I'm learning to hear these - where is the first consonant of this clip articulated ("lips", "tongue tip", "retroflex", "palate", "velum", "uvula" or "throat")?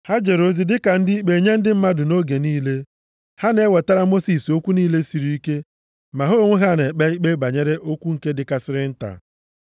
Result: throat